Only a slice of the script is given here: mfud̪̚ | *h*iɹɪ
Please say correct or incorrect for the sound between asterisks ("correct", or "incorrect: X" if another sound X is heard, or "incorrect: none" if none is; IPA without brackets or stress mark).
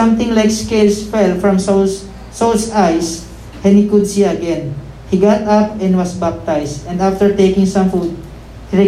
correct